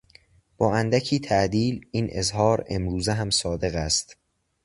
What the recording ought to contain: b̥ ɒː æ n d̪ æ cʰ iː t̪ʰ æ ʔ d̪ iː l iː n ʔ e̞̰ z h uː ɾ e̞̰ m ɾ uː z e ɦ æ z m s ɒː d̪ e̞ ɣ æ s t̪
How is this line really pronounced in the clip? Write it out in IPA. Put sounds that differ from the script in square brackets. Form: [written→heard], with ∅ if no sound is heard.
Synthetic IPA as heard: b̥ ɒː æ n d̪ æ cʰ iː t̪ʰ æ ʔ d̪ iː l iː n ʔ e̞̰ z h [uː→ɒː] ɾ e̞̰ m ɾ uː z e ɦ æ [z→∅] m s ɒː d̪ e̞ ɣ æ s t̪